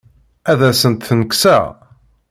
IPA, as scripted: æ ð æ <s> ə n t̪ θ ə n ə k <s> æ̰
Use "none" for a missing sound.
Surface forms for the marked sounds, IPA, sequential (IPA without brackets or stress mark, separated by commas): s, s